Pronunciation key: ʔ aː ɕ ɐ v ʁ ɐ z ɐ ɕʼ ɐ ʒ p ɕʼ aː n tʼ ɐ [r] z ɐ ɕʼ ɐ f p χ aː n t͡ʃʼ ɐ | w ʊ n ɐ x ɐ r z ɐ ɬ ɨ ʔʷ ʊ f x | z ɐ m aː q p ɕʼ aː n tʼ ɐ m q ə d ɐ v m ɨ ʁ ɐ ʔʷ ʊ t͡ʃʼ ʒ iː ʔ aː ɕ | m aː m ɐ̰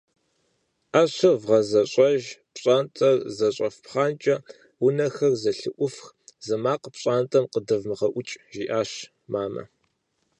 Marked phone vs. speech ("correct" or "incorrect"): correct